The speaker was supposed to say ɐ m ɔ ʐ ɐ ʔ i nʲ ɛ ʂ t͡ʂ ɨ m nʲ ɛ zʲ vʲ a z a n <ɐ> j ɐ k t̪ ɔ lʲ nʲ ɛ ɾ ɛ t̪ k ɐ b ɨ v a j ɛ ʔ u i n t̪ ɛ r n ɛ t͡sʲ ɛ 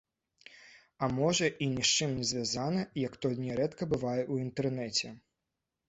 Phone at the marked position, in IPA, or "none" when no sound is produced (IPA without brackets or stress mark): ɐ